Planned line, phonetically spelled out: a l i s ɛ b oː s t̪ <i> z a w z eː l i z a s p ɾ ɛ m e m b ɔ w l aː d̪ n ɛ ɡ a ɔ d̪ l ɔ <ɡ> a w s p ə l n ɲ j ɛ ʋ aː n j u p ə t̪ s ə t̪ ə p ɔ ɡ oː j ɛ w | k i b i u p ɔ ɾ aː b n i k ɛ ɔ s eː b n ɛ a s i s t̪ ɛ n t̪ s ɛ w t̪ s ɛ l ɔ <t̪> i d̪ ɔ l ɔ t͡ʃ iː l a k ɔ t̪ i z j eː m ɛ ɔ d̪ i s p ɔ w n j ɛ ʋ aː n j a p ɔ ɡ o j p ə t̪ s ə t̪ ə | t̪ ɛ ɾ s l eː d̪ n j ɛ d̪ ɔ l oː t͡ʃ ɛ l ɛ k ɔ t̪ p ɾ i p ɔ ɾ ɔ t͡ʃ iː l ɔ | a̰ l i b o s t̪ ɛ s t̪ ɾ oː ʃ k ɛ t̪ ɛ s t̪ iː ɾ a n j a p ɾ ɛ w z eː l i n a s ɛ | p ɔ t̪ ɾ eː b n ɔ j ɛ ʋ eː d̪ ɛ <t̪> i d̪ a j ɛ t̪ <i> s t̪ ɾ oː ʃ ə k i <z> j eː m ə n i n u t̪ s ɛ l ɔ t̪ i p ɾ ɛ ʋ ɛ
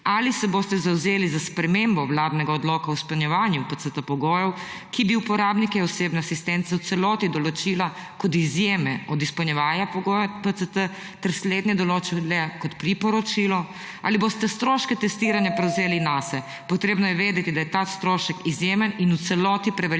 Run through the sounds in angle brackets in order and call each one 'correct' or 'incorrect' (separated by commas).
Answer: incorrect, incorrect, correct, correct, incorrect, correct